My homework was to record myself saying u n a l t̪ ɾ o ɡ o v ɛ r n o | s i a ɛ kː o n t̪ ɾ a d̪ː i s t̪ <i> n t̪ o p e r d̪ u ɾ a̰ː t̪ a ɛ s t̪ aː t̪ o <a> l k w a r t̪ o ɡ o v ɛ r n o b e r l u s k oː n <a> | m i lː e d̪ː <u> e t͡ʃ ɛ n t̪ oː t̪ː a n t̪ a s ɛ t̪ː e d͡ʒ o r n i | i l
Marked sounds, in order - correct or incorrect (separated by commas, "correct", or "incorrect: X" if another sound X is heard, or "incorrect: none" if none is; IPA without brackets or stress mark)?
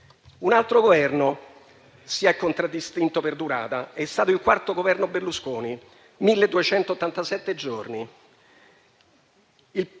correct, incorrect: i, incorrect: i, correct